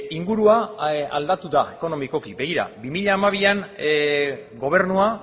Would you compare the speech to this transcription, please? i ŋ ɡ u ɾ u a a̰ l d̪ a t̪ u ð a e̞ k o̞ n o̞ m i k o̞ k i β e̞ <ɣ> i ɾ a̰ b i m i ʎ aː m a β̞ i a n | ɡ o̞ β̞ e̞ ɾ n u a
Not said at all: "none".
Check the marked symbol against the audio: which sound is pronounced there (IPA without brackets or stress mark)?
ɣ